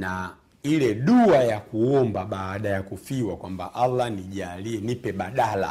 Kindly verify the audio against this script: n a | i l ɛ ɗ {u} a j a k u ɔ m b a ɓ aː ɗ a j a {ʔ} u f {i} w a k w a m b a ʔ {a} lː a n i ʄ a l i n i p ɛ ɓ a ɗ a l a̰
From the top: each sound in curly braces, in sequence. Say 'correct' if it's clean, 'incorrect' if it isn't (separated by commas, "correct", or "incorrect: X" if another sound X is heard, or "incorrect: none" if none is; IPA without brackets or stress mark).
correct, incorrect: k, correct, correct